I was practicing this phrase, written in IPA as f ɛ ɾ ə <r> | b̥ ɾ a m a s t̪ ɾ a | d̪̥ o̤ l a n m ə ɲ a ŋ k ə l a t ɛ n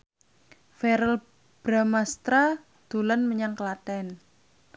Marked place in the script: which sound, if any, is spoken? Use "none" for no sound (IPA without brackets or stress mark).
l